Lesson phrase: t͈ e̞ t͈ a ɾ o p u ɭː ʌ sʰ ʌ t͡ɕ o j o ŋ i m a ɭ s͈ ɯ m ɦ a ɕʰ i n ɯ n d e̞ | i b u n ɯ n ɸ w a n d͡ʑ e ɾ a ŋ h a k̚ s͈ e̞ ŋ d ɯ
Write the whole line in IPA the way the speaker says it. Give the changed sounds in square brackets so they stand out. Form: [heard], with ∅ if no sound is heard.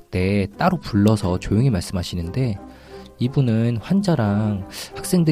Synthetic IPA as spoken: t͈ e̞ t͈ a ɾ o p u ɭː ʌ sʰ ʌ t͡ɕ o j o ŋ i m a ɭ s͈ ɯ m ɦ a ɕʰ i n ɯ n d e̞ | i b u n ɯ n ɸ w a n d͡ʑ [a] ɾ a ŋ h a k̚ s͈ e̞ ŋ d ɯ